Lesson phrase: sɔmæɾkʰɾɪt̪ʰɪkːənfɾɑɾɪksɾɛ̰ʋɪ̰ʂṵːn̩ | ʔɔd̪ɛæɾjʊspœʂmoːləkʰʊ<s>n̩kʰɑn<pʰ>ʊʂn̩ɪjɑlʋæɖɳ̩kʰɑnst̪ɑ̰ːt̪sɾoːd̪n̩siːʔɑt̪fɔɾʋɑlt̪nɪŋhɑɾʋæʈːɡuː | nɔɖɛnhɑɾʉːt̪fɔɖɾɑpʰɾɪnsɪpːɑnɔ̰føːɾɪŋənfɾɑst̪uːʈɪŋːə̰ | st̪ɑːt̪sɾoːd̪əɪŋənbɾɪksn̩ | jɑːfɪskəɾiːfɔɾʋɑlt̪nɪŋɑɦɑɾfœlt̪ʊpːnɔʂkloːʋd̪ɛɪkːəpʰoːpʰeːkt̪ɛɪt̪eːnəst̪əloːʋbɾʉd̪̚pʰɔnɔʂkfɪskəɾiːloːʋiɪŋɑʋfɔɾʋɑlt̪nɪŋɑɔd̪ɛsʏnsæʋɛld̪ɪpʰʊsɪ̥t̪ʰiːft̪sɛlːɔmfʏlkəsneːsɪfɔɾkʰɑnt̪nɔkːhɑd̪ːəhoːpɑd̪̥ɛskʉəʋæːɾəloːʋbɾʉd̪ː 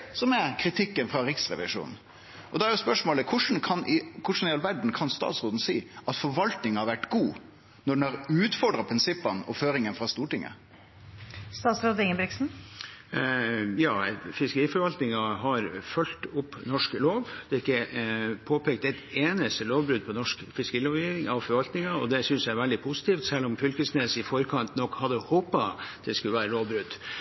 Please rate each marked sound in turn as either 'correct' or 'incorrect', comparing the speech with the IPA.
incorrect, incorrect

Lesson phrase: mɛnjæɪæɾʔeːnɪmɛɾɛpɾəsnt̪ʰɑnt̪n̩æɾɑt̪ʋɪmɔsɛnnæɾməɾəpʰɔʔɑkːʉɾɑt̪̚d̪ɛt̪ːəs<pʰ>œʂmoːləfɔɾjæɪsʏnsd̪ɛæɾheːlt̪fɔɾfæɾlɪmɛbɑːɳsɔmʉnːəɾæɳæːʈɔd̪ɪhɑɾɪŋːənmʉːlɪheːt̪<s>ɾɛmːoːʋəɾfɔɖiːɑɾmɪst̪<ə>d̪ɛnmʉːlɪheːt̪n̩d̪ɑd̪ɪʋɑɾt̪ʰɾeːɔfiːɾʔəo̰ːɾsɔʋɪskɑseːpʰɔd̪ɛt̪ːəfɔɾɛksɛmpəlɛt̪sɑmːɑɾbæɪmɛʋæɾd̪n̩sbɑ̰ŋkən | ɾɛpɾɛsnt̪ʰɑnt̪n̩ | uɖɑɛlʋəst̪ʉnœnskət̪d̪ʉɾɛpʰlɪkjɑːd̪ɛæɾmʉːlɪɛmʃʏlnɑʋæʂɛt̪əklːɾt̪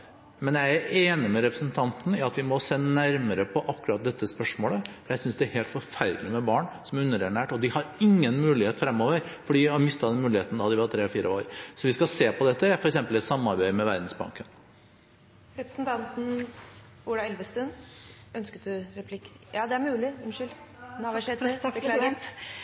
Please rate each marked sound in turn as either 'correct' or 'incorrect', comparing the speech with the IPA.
incorrect, incorrect, incorrect

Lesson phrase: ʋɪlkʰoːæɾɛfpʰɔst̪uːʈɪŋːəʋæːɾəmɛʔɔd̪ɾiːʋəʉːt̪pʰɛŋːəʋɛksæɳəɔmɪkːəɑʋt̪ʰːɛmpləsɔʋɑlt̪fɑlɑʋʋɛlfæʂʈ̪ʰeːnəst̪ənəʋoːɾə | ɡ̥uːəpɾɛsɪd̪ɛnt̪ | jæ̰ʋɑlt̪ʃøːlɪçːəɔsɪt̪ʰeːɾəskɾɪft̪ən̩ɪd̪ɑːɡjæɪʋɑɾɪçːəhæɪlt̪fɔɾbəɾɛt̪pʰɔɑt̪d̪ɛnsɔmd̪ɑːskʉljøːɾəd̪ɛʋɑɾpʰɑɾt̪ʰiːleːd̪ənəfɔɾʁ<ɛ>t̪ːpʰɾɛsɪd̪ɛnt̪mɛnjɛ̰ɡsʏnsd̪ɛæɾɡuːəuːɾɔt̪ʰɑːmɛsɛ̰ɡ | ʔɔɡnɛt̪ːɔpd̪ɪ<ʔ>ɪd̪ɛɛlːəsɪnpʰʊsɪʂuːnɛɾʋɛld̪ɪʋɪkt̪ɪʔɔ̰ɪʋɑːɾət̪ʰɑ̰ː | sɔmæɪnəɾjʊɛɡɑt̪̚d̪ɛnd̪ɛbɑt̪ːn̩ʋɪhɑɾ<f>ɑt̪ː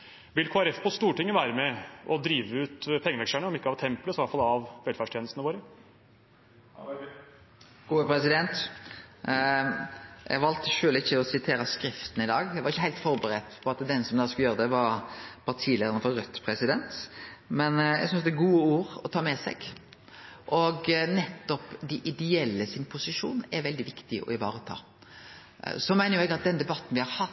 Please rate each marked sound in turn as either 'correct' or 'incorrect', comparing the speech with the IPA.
incorrect, correct, incorrect

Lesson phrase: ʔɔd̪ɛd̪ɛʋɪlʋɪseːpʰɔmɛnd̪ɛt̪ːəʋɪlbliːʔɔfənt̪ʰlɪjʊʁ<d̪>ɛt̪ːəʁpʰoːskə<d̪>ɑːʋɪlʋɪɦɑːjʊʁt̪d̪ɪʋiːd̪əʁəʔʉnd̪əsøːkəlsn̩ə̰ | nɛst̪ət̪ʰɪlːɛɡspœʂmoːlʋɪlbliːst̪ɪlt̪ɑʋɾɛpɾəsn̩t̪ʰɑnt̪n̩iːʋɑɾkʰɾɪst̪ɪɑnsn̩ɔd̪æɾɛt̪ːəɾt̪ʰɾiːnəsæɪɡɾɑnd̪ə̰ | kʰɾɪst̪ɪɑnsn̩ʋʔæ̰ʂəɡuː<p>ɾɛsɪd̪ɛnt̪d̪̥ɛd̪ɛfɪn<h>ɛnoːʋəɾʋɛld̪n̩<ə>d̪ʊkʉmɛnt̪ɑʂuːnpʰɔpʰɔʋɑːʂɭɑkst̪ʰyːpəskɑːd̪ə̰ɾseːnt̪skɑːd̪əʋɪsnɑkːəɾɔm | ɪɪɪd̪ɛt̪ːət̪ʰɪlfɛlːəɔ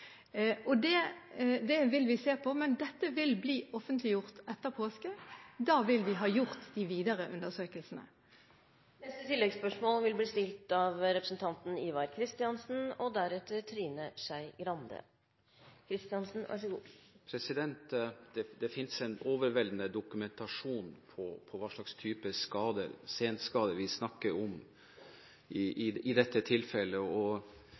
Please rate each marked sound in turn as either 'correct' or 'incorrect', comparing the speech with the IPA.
incorrect, correct, incorrect, incorrect, correct

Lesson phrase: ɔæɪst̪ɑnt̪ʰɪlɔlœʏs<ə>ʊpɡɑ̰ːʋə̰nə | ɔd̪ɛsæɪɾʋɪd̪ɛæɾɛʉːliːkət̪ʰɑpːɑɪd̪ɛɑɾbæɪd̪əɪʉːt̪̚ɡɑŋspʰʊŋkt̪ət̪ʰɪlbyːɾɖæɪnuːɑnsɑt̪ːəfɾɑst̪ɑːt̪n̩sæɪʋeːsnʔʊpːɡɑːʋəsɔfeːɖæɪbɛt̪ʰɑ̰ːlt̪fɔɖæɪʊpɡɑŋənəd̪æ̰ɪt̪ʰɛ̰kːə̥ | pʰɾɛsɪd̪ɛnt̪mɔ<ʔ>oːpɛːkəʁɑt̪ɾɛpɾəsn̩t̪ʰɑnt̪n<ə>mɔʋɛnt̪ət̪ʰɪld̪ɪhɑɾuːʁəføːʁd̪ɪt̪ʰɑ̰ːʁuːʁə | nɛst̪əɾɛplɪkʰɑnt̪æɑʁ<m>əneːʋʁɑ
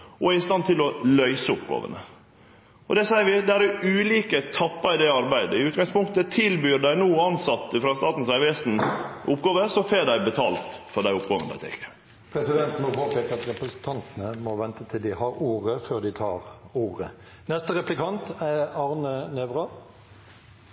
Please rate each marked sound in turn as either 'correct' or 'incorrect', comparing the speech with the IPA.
correct, incorrect, correct, incorrect

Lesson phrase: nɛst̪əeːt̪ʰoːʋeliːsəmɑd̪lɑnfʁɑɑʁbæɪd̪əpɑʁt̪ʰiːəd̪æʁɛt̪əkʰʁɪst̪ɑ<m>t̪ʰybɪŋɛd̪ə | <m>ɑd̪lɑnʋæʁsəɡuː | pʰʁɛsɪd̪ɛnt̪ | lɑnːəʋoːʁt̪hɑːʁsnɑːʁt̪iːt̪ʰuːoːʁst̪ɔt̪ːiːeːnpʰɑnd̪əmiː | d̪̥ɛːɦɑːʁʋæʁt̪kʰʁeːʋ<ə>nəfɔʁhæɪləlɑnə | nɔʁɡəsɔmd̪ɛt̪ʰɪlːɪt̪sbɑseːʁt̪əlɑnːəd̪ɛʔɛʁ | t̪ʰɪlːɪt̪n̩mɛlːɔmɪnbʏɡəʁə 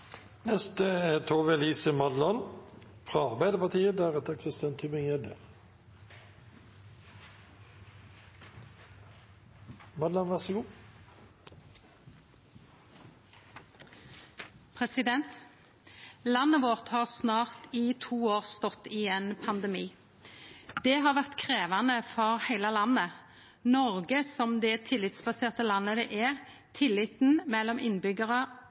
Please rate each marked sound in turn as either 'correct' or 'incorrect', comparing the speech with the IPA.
incorrect, correct, incorrect

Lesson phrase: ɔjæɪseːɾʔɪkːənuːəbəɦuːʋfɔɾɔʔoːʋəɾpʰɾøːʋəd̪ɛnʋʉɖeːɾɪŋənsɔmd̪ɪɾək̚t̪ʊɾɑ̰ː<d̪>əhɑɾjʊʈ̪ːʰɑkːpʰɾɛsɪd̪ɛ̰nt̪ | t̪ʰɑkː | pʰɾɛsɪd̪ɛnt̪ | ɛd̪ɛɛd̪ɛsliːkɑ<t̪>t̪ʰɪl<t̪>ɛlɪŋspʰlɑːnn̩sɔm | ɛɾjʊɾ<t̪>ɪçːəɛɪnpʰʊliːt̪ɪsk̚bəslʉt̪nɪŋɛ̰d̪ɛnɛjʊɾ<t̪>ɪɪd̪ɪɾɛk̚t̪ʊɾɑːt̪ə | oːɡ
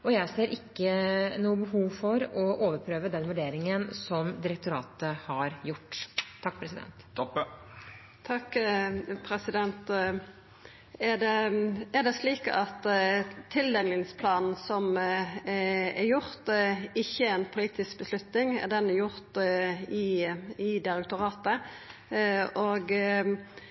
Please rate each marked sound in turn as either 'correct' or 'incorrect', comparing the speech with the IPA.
incorrect, correct, incorrect, correct, correct

